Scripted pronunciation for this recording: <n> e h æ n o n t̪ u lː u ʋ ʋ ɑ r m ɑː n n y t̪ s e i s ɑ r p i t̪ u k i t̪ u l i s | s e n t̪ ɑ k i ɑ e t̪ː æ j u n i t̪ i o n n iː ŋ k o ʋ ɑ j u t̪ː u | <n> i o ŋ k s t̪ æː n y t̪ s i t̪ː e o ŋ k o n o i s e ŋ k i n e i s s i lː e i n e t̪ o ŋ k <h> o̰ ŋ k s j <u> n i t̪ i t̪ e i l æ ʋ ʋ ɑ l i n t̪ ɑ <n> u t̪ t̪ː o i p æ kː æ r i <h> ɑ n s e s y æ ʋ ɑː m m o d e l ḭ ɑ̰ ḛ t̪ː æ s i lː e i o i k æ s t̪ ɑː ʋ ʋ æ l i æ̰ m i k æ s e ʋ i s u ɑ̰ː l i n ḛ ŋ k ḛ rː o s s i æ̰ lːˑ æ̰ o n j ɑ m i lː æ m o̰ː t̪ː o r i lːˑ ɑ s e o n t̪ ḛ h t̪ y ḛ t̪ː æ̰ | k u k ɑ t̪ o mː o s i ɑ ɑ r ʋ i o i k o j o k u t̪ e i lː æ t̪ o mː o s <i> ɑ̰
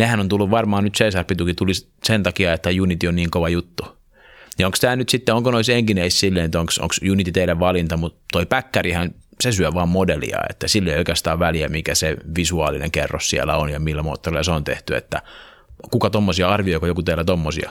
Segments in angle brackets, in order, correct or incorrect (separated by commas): correct, correct, incorrect, correct, incorrect, correct, correct